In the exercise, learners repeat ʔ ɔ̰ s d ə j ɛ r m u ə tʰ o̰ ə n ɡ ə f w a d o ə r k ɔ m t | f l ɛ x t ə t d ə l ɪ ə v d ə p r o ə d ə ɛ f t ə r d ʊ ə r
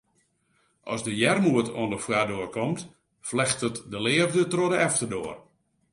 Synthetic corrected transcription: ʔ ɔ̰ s d ə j ɛ r m u ə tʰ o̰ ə n d ə f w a d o ə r k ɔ m t | f l ɛ x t ə t d ə l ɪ ə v d ə t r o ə d ə ɛ f t ə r d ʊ ə r